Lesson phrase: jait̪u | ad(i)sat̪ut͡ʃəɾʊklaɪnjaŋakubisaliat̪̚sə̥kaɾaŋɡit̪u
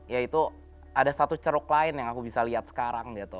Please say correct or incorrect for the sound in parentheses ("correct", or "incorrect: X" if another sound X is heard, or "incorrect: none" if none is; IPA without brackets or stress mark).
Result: incorrect: a